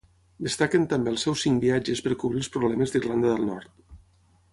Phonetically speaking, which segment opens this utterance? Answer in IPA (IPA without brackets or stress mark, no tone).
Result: d̪